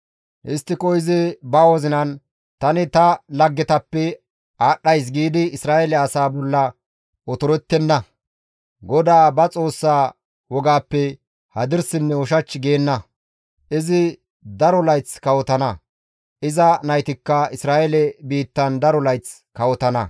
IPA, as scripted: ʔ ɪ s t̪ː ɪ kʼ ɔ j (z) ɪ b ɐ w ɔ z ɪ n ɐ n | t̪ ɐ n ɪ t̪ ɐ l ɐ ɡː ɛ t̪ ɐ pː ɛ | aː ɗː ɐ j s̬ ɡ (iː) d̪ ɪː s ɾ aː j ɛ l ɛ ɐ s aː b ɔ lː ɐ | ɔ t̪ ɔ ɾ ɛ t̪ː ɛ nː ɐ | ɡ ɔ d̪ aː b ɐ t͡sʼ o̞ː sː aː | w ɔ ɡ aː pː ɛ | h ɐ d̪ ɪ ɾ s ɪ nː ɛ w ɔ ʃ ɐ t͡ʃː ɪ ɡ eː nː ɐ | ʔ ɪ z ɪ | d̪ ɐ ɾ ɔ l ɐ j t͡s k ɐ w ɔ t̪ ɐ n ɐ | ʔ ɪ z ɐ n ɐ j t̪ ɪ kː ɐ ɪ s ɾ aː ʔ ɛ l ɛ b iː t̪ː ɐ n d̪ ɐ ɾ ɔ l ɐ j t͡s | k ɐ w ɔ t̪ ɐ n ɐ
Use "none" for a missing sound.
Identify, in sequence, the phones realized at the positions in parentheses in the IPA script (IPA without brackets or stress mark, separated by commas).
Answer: z, iː